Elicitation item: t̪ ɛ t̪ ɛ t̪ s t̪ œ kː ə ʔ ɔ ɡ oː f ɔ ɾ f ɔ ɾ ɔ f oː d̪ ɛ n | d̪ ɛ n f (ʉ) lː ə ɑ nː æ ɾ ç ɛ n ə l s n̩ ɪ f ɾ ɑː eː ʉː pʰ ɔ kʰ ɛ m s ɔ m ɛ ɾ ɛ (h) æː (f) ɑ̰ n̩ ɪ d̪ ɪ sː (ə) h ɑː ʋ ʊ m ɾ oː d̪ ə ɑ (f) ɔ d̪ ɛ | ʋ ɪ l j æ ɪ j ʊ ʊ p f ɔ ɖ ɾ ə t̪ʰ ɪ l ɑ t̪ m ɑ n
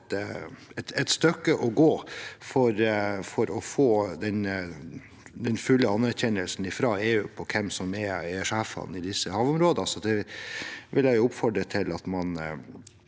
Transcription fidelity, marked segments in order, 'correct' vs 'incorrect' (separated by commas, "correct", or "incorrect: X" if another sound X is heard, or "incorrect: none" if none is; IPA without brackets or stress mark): correct, incorrect: ʂ, correct, correct, incorrect: s